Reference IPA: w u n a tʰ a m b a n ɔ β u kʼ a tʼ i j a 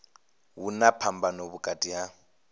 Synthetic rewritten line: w u n a pʰ a m b a n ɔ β u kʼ a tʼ i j a